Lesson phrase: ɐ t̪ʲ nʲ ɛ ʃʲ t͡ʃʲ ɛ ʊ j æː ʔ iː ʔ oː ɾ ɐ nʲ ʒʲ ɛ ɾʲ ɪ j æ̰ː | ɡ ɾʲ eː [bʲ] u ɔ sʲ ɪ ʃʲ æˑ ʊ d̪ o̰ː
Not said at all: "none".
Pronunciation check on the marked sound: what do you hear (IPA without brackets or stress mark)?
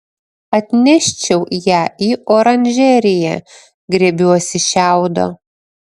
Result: bʲ